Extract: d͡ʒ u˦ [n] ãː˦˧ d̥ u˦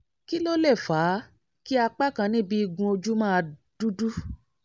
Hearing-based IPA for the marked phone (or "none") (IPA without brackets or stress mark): m